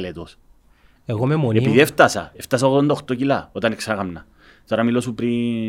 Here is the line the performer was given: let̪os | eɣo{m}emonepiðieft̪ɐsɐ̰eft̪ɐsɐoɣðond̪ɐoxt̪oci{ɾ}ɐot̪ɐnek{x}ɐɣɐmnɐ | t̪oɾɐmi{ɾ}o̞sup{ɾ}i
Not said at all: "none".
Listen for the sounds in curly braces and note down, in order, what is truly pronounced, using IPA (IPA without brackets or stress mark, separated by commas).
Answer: m, l, s, l, ɾ